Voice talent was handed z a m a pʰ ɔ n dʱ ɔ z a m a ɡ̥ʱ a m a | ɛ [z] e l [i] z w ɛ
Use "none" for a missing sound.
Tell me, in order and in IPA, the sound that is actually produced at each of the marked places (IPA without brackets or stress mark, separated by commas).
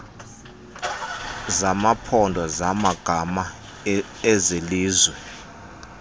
z, iː